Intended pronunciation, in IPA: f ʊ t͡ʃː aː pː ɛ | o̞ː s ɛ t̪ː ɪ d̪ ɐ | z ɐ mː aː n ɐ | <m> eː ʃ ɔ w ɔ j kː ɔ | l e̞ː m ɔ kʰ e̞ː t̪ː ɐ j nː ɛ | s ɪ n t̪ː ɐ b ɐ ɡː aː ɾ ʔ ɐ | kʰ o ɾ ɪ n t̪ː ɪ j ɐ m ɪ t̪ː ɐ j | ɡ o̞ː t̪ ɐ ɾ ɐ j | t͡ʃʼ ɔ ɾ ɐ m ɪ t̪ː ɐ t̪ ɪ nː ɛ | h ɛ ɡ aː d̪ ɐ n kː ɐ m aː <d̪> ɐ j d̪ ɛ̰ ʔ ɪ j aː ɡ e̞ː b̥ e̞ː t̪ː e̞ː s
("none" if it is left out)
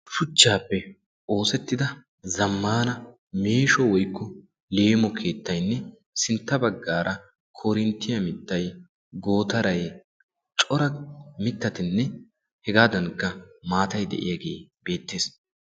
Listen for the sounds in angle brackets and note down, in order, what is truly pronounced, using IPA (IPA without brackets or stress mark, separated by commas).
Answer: m, t̪